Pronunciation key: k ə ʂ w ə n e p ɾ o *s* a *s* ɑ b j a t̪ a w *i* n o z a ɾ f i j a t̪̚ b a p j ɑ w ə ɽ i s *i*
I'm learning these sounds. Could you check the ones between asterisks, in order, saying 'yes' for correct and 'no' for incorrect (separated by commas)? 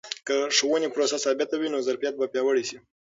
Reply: yes, yes, yes, yes